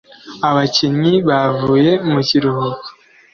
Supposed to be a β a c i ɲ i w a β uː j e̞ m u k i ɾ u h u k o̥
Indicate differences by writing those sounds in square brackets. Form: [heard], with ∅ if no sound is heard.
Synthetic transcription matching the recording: a β a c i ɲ i [β] a [v] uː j e̞ m u [c] i ɾ u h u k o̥